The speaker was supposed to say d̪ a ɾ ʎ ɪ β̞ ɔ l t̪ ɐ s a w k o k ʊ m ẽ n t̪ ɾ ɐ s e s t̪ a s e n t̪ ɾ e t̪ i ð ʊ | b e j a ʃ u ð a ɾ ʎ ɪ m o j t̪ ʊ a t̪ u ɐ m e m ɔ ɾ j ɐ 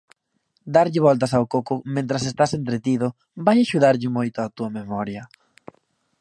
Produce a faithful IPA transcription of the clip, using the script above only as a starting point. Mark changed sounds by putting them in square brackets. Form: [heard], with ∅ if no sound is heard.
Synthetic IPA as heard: d̪ a ɾ ʎ ɪ β̞ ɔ l t̪ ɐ s a w k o k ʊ m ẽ n t̪ ɾ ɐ s e s t̪ a s e n t̪ ɾ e t̪ i ð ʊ | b [a] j a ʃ u ð a ɾ ʎ ɪ m o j t̪ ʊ a t̪ u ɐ m e m ɔ ɾ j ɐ

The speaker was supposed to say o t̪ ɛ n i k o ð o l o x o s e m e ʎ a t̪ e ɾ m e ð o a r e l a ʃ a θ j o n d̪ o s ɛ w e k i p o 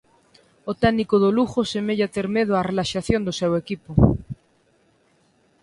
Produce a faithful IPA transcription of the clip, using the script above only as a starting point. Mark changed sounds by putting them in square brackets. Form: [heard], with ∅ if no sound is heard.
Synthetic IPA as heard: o t̪ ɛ n i k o ð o l [u] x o s e m e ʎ a t̪ e ɾ m e ð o a r e l a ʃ a θ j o n d̪ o s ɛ w e k i p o

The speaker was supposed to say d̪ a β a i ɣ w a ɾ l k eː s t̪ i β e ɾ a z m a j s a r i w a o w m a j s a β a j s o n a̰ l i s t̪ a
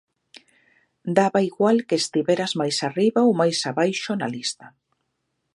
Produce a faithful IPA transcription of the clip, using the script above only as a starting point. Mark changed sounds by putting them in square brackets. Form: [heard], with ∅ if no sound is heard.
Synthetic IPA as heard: d̪ a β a i ɣ w a [∅] l k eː s t̪ i β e ɾ a z m a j s a r i [β] a o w m a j s a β a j [ʃ] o n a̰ l i s t̪ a

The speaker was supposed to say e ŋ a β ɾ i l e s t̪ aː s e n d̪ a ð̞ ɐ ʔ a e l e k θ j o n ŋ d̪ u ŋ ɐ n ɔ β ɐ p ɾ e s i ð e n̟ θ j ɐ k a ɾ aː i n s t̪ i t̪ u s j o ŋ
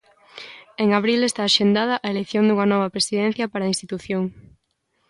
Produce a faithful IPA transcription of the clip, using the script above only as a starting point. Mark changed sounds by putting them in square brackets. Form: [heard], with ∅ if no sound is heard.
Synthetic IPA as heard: e ŋ a β ɾ i l e s t̪ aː [ʃ] e n d̪ a ð̞ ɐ ʔ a e l e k θ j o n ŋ d̪ u ŋ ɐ n ɔ β ɐ p ɾ e s i ð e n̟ θ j ɐ [p] a ɾ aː i n s t̪ i t̪ u [θ] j o ŋ

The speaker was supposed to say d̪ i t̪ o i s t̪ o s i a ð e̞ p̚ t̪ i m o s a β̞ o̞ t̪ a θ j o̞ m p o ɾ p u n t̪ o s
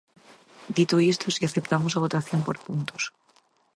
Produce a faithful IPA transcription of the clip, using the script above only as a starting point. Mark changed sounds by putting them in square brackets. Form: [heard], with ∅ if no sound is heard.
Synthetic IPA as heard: d̪ i t̪ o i s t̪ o s i a [θ] e̞ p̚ t̪ [a] m o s a β̞ o̞ t̪ a θ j o̞ m p o ɾ p u n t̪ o s

